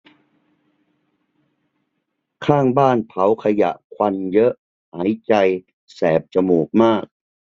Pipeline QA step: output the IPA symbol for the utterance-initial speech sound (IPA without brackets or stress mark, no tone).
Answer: kʰ